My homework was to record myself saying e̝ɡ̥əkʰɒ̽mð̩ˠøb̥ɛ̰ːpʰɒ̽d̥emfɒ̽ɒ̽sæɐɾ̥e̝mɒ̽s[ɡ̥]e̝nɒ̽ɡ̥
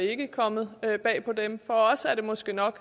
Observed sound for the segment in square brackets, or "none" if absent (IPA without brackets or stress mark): ɡ̥